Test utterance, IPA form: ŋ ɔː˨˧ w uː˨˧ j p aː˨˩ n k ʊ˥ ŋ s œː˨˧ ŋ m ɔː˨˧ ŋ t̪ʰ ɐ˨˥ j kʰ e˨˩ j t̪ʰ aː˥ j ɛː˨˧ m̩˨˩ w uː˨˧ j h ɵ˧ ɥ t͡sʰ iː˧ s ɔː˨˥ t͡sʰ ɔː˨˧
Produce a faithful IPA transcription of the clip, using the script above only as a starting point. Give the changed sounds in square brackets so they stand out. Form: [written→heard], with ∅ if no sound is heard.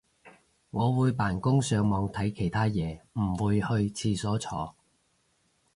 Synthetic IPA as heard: ŋ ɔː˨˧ w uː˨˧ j p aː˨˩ n k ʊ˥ ŋ s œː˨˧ ŋ m ɔː˨˧ ŋ t̪ʰ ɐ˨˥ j kʰ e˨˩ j t̪ʰ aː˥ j ɛː˨˧ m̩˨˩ w uː˨˧ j h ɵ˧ ɥ t͡sʰ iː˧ s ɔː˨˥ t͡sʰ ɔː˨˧